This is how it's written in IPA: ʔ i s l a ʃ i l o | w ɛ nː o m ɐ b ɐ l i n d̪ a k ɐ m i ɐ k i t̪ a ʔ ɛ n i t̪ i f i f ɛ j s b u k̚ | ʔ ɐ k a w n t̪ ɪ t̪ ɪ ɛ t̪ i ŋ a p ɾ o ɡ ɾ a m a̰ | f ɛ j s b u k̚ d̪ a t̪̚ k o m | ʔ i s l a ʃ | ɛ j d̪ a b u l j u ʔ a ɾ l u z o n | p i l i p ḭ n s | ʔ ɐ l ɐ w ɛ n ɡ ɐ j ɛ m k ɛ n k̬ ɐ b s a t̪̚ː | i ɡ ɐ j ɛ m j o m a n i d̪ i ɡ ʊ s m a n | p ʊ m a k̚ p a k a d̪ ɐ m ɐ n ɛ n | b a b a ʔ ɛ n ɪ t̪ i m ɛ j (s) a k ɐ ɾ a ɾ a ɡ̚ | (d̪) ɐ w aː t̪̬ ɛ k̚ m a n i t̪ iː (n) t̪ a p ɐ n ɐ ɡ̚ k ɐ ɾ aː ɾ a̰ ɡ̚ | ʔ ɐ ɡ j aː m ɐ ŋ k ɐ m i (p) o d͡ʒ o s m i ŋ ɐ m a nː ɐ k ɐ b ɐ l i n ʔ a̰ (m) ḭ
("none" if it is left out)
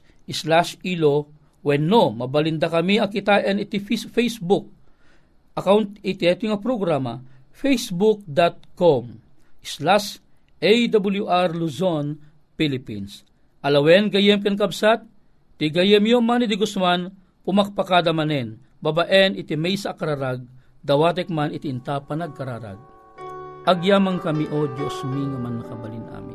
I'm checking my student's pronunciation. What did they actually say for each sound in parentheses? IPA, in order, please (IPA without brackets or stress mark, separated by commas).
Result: s, d̪, n, ʔ, m